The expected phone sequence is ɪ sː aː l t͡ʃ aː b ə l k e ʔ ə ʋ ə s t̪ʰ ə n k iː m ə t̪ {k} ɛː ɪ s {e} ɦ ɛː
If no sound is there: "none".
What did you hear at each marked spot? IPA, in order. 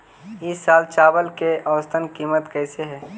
k, e

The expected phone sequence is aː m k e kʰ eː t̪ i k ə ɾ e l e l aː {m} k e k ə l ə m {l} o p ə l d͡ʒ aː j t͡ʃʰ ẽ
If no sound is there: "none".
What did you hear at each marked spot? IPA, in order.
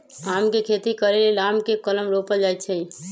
m, ɾ

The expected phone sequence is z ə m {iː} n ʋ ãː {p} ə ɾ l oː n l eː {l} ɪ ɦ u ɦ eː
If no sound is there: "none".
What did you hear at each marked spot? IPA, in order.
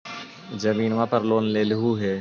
iː, p, l

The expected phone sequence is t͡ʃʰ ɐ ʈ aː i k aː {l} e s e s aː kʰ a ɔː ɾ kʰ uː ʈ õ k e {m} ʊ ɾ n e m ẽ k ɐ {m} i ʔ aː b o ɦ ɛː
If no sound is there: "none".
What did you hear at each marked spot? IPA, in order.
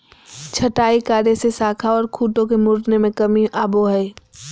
ɾ, m, m

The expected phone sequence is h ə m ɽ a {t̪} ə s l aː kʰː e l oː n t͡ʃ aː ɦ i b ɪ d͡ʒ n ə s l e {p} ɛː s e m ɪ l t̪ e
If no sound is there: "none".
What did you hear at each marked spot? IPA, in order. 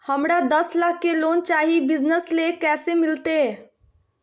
d̪, k

